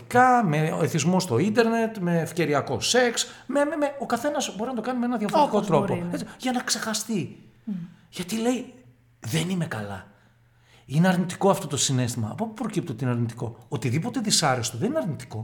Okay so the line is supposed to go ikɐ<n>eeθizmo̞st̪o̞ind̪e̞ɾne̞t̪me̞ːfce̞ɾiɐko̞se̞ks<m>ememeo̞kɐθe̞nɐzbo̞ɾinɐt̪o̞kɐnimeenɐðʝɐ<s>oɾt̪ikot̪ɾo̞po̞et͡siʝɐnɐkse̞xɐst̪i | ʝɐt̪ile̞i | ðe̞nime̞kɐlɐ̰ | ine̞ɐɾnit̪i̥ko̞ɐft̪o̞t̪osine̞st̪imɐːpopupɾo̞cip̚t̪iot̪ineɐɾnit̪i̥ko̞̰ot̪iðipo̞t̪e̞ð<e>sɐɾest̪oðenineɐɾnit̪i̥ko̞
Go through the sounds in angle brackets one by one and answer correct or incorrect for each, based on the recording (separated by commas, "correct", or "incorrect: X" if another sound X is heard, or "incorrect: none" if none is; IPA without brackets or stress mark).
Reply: incorrect: m, correct, incorrect: f, incorrect: i